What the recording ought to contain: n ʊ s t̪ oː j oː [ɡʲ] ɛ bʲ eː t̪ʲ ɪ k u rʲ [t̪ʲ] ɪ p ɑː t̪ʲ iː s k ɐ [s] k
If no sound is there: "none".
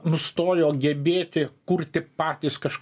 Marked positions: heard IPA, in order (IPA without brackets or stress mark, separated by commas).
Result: ɡʲ, t̪ʲ, ʃ